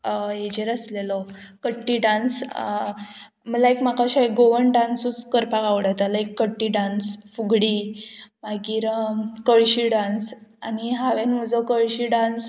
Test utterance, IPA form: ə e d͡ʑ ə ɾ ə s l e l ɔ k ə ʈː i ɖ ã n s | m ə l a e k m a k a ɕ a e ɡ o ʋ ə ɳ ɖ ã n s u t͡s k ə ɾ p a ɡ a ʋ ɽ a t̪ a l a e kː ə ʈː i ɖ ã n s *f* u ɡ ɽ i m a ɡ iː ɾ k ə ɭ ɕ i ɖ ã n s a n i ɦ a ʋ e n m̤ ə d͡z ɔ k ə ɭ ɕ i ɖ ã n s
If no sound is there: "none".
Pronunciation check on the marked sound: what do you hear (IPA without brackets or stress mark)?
f